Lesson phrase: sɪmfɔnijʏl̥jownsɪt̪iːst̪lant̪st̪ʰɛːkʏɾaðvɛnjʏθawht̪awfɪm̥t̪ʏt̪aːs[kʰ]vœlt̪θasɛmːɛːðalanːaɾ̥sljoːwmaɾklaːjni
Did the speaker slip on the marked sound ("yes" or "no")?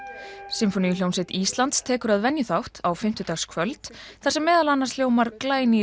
no